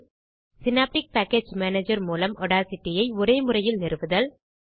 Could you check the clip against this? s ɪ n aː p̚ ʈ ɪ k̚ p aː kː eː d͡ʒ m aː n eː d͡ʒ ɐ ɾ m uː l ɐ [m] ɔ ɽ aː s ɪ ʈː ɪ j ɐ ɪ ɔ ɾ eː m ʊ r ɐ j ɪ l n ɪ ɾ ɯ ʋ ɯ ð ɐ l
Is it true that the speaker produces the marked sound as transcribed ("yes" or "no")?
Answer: yes